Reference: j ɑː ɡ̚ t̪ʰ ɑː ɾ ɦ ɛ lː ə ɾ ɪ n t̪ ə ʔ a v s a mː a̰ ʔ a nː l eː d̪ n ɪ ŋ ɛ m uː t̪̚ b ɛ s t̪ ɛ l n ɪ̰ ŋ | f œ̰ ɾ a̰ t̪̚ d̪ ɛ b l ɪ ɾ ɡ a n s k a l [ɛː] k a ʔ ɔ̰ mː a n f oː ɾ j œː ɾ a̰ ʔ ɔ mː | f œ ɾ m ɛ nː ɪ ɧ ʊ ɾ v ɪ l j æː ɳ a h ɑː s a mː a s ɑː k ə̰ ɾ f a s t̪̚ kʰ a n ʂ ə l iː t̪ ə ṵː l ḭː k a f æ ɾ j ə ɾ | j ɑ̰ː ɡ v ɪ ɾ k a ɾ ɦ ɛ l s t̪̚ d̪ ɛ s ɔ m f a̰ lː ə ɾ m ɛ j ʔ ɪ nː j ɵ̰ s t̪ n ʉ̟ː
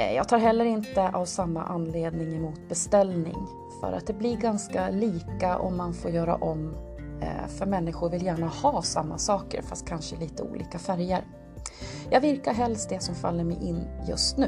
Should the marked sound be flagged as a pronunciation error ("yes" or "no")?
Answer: yes